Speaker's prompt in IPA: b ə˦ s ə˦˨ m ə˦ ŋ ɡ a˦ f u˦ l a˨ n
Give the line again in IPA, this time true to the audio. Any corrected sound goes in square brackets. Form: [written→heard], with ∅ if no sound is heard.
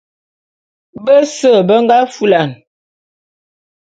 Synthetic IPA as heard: b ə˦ s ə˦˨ [m→b] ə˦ ŋ ɡ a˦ f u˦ l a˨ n